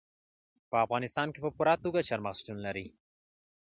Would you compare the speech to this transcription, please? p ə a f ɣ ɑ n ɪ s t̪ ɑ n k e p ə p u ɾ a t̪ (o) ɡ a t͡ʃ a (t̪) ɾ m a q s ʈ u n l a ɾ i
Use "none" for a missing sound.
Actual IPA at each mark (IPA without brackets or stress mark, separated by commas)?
u, none